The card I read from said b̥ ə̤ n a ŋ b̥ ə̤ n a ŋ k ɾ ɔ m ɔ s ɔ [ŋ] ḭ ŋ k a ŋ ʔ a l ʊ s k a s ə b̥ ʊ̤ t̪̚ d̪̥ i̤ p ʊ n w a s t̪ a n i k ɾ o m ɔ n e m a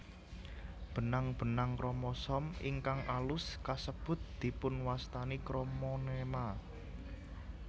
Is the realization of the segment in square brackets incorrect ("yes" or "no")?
yes